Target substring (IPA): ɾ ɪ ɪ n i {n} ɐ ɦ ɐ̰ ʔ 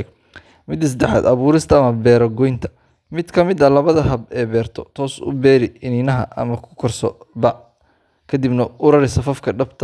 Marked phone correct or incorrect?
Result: correct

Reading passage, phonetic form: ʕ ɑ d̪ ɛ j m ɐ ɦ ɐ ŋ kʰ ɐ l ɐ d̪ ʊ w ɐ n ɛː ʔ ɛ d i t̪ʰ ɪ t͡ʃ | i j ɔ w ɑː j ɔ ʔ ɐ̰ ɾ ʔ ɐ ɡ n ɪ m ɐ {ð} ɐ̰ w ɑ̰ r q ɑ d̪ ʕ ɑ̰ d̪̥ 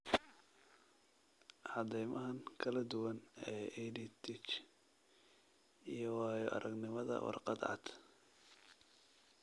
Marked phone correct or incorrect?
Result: correct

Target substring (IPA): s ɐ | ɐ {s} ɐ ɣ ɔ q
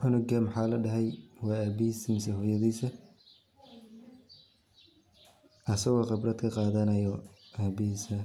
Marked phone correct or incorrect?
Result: correct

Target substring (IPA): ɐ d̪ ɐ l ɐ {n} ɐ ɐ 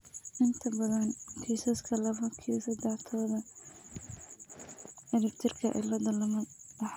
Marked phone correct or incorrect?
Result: incorrect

